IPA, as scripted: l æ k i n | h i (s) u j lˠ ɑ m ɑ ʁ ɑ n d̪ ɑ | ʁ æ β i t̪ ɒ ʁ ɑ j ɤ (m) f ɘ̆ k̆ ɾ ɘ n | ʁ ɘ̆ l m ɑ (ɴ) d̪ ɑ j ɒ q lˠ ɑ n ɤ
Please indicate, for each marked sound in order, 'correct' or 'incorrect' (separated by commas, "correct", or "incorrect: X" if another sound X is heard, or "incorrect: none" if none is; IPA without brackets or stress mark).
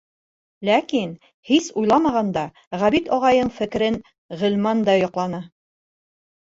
correct, incorrect: ɴ, incorrect: n